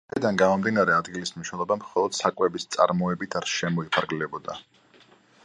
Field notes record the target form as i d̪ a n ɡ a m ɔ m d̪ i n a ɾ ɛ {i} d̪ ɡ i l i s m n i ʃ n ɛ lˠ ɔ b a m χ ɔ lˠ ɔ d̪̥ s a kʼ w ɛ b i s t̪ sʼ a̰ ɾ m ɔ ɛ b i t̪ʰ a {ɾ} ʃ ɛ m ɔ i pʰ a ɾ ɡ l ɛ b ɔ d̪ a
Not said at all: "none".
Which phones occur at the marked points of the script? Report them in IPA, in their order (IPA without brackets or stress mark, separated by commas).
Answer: a, ɾ